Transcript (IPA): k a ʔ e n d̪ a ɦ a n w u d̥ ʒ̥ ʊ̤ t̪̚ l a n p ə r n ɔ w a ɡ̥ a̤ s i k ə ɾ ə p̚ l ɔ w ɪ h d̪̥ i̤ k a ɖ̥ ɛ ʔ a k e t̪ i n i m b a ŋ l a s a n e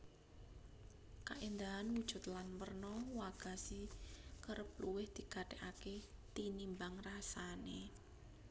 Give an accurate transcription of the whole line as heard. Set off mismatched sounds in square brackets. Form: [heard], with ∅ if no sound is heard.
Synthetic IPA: k a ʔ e n d̪ a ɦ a n w u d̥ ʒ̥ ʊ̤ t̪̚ l a n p ə r n ɔ w a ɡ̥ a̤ s i k ə ɾ ə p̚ l [u] w ɪ h d̪̥ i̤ k a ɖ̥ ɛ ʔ a k e t̪ i n i m b a ŋ [r] a s a n e